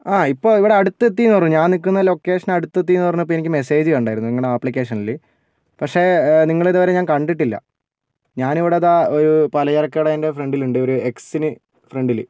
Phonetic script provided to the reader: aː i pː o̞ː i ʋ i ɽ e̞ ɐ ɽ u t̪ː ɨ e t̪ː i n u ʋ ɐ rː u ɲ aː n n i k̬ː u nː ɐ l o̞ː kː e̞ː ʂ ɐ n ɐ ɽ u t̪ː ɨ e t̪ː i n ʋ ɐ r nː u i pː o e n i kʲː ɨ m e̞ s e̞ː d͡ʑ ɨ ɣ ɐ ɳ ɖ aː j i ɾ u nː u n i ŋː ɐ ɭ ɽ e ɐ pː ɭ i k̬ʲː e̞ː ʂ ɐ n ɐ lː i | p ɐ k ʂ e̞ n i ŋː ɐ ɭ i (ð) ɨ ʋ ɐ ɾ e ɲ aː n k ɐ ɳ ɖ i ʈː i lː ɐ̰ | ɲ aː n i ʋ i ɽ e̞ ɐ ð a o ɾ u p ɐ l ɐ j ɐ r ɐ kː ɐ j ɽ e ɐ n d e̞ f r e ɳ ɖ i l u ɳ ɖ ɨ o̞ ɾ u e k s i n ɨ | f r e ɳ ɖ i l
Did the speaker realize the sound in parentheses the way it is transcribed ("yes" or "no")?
yes